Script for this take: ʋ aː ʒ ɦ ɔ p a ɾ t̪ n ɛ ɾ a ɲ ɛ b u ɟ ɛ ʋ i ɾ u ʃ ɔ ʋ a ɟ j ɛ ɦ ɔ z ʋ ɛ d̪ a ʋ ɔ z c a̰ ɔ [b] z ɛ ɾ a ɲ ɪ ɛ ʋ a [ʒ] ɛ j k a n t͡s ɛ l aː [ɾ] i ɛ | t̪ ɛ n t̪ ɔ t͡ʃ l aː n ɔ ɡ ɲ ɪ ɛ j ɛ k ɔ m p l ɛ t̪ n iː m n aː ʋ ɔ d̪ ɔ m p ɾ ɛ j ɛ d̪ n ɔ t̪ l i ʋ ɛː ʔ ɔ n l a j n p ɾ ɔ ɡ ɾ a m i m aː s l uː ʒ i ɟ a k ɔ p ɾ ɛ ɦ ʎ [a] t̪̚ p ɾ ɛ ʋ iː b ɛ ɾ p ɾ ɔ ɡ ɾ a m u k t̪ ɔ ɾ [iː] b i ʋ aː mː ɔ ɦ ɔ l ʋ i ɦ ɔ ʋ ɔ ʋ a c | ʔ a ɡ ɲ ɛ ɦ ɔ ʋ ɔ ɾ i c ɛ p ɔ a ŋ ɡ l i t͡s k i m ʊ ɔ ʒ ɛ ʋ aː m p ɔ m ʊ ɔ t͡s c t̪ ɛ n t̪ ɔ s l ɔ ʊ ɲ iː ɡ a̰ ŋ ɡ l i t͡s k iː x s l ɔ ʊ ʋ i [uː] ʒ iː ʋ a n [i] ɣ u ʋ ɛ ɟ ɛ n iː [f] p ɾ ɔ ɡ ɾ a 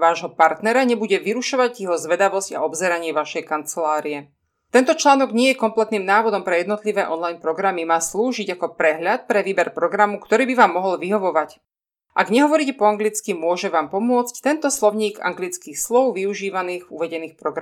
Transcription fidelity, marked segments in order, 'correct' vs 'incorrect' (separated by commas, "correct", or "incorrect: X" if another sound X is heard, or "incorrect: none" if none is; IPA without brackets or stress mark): correct, incorrect: ʃ, correct, correct, correct, incorrect: u, incorrect: iː, incorrect: x